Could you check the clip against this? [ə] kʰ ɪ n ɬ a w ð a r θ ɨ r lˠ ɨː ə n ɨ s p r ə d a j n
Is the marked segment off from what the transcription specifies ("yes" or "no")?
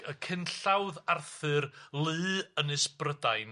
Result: no